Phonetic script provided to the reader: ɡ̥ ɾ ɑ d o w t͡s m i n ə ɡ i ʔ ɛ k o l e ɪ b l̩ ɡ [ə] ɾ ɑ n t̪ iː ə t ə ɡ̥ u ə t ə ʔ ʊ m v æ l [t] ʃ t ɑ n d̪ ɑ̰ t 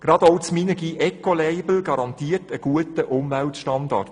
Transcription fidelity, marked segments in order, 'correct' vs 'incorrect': incorrect: ɑ, correct

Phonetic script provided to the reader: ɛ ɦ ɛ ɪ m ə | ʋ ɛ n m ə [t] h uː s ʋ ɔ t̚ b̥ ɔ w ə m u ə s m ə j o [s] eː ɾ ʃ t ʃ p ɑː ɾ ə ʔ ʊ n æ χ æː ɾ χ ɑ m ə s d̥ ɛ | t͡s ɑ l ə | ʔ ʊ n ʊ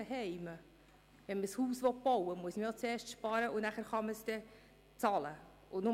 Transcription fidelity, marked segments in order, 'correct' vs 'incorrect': incorrect: s, incorrect: t͡s

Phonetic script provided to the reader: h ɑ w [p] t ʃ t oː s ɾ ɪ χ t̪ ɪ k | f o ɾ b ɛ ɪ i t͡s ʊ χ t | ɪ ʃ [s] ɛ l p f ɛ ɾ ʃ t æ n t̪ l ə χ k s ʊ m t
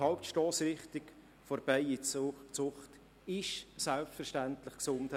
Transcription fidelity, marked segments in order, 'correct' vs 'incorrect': correct, correct

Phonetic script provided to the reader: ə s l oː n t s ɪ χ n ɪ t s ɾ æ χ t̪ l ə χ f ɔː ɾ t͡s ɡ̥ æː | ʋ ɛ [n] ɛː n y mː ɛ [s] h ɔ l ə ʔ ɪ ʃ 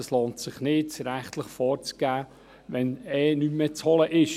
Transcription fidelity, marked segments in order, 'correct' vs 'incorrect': correct, incorrect: t͡s

